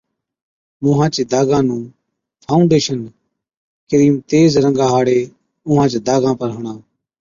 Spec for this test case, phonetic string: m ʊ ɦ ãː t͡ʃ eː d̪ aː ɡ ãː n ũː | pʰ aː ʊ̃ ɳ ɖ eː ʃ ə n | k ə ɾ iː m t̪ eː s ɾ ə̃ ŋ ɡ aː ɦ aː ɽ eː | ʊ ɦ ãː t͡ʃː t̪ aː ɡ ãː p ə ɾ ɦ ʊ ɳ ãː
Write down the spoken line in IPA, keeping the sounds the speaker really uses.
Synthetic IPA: m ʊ ɦ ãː t͡ʃ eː d̪ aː ɡ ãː n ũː | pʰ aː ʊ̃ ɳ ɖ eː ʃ ə n | k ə ɾ iː m t̪ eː z ɾ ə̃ ŋ ɡ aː ɦ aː ɽ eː | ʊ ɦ ãː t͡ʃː d̪ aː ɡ ãː p ə ɾ ɦ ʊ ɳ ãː